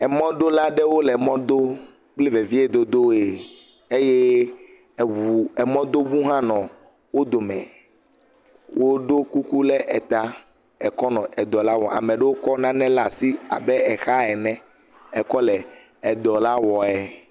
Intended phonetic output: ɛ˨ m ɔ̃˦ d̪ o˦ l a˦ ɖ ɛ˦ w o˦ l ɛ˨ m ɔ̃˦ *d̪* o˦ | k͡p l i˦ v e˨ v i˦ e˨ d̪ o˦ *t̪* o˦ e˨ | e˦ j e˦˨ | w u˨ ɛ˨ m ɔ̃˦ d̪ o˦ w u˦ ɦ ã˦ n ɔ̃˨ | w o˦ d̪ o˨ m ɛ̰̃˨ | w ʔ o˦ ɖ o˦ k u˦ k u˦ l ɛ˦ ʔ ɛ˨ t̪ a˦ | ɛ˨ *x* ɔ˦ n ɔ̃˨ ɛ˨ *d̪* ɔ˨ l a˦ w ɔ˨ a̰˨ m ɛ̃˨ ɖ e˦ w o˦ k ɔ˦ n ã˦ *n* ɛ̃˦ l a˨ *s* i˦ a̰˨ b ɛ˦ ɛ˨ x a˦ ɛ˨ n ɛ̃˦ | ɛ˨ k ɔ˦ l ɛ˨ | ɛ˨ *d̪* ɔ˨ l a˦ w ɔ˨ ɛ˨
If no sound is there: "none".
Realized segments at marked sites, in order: d̪, d̪, k, d̪, n, s, d̪

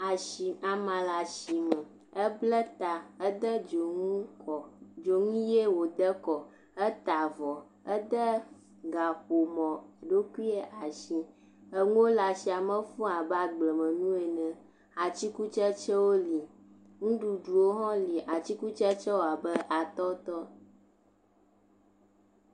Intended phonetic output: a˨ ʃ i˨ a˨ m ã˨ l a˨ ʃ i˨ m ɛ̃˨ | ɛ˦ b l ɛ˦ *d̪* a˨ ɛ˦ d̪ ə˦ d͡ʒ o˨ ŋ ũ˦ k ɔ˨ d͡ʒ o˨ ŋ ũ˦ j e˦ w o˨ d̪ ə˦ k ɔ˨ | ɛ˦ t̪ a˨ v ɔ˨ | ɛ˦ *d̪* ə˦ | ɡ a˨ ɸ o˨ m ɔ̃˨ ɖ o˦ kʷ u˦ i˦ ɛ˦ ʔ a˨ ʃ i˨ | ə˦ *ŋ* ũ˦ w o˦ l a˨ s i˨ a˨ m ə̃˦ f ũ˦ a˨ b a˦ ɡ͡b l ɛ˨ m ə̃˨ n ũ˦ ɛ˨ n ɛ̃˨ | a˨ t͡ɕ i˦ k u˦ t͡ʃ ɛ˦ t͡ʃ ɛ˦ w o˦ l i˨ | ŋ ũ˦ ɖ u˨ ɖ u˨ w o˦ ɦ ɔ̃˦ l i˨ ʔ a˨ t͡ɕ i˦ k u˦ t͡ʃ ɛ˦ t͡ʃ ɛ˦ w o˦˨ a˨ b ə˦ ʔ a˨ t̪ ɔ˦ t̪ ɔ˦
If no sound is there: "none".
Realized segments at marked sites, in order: t̪, d̪, ŋ

